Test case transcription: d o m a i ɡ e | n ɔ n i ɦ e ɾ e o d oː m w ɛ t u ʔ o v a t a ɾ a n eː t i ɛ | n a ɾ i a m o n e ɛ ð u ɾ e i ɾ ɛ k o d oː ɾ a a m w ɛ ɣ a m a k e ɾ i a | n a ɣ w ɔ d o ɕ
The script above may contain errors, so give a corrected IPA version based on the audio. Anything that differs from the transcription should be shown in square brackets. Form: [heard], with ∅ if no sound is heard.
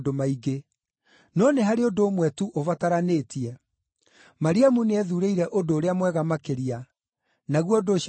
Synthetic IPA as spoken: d o m a i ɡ e | n ɔ n [e] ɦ [a] ɾ e o d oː m w ɛ t u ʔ o v a t a ɾ a n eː t i ɛ | [m] a ɾ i a m [u] n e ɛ ð u ɾ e i ɾ ɛ [ʔ] o d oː ɾ [e] a m w ɛ ɣ a m a k e ɾ i a | n a ɣ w ɔ d o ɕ